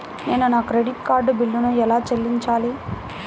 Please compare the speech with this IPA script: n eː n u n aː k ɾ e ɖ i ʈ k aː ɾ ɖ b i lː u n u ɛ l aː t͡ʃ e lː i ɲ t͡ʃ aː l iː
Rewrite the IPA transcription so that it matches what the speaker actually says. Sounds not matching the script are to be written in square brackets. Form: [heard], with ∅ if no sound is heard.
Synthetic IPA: n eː n u n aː k ɾ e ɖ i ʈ k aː ɾ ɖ b i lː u n u ɛ l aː t͡ʃ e lː i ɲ t͡ʃ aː l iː

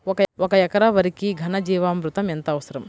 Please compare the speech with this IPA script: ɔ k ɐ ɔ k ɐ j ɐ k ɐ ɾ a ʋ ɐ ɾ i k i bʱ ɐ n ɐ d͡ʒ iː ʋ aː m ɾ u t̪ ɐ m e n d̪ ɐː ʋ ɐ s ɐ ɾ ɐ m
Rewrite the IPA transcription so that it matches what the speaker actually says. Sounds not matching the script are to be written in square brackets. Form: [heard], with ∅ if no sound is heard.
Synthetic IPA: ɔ k ɐ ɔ k ɐ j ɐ k ɐ ɾ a ʋ ɐ ɾ i k i [ɡʱ] ɐ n ɐ d͡ʒ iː ʋ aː m ɾ u t̪ ɐ m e n [t̪] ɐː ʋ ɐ s ɐ ɾ ɐ m

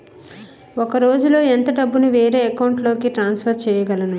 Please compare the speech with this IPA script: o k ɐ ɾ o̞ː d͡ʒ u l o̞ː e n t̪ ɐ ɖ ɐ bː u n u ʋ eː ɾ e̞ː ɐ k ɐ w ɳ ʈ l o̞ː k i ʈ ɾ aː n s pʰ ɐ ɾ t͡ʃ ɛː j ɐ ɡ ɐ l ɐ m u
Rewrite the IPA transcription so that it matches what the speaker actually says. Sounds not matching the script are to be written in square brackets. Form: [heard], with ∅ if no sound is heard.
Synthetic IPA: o k ɐ ɾ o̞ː d͡ʒ u l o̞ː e n t̪ ɐ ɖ ɐ bː u n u ʋ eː ɾ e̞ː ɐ k ɐ w ɳ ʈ l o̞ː k i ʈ ɾ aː n s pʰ ɐ ɾ t͡ʃ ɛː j ɐ ɡ ɐ l ɐ [n] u

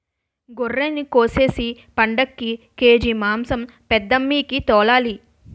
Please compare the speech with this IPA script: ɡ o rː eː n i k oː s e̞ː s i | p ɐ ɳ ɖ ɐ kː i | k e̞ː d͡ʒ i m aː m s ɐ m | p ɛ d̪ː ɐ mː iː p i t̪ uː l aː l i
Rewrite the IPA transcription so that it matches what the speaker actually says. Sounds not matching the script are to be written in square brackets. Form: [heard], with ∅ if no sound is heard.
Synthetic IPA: ɡ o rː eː n i k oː s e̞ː s i | p ɐ ɳ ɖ ɐ kː i | k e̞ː d͡ʒ i m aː m s ɐ m | p ɛ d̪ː ɐ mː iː [k] i t̪ [ɔː] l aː l i

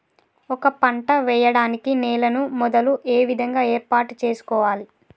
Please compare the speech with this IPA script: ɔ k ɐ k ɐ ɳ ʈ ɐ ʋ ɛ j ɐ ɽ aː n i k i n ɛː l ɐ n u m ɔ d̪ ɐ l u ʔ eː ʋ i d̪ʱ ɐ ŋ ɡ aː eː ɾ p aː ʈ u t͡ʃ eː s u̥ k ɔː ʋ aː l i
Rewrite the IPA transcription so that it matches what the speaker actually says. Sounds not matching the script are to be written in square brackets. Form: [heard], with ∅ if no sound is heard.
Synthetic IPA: ɔ k ɐ [p] ɐ ɳ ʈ ɐ ʋ ɛ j ɐ ɽ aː n i k i n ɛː l ɐ n u m ɔ d̪ ɐ l u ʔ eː ʋ i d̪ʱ ɐ ŋ ɡ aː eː ɾ p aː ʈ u t͡ʃ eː s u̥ k ɔː ʋ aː l i

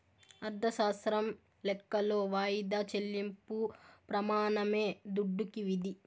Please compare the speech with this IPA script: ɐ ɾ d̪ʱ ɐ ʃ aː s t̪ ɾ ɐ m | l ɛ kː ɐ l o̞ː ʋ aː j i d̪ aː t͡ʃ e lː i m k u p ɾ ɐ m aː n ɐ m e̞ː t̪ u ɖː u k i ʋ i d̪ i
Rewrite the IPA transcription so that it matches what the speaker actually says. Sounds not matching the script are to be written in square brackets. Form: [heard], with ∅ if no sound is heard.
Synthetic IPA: ɐ ɾ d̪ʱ ɐ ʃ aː s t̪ ɾ ɐ m | l ɛ kː ɐ l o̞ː ʋ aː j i d̪ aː t͡ʃ e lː i m [p] u p ɾ ɐ m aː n ɐ m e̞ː [d̪] u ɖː u k i ʋ i d̪ i

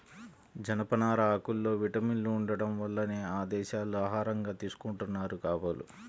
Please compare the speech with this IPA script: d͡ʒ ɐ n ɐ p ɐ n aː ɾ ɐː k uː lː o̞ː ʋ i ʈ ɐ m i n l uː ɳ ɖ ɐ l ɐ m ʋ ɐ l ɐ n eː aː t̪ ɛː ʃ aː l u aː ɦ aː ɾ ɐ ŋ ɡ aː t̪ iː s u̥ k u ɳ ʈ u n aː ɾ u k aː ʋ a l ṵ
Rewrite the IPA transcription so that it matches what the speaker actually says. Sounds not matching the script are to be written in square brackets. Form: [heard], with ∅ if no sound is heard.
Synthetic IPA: d͡ʒ ɐ n ɐ p ɐ n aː ɾ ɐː k [u] lː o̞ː ʋ i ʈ ɐ m i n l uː ɳ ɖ ɐ [ɽ] ɐ m ʋ ɐ [lː] ɐ n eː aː [d̪] ɛː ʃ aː l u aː ɦ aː ɾ ɐ ŋ ɡ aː t̪ iː s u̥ k u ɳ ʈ u [nː] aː ɾ u k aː ʋ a l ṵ

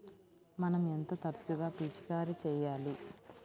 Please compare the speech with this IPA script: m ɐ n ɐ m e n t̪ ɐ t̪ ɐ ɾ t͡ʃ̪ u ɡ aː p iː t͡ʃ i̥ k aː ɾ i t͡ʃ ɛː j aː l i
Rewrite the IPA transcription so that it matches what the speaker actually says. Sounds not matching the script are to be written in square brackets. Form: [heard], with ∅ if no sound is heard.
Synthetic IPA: m ɐ n ɐ m e n t̪ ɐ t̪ ɐ ɾ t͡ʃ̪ u ɡ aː p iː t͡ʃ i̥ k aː ɾ i t͡ʃ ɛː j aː l i

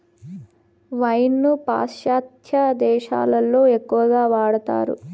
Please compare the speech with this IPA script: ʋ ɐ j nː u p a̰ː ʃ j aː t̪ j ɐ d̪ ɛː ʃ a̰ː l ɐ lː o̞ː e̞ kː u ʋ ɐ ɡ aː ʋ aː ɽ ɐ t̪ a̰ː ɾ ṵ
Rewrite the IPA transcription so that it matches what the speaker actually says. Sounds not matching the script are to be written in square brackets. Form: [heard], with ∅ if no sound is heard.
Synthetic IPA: ʋ ɐ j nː u p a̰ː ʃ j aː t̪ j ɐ d̪ ɛː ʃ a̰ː l ɐ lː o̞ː e̞ kː u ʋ ɐ ɡ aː ʋ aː ɽ ɐ t̪ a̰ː ɾ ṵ

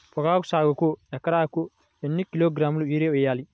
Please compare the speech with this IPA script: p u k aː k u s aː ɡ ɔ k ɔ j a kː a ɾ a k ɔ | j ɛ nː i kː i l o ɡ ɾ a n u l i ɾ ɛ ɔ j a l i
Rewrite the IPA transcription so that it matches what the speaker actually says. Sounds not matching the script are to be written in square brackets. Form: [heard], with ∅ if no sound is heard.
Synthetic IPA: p [ɔ] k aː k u s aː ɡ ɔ k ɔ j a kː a ɾ a k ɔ | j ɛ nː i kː i l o ɡ ɾ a [m] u l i ɾ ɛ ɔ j a l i

